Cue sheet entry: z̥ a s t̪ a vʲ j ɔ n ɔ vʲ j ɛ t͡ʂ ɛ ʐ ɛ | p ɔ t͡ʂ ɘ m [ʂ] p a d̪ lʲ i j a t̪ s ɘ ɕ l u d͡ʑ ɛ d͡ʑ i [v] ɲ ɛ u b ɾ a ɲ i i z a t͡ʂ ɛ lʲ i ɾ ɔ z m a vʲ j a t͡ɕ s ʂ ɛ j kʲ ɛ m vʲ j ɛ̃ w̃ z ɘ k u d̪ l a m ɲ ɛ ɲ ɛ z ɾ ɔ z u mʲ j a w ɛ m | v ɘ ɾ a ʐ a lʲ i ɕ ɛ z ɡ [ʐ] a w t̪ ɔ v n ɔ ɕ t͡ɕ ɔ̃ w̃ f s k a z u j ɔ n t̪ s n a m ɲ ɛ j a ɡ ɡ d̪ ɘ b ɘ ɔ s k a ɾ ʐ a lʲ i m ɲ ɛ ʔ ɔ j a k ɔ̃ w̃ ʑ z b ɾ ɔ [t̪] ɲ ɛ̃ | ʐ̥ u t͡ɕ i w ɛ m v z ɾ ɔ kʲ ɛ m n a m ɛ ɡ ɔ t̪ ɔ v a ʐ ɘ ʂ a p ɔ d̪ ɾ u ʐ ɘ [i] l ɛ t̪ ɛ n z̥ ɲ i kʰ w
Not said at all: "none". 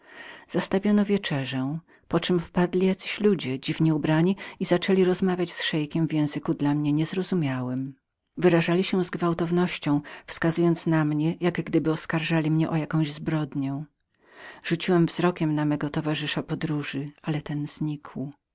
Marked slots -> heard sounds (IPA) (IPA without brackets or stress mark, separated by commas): f, v, v, d̪, a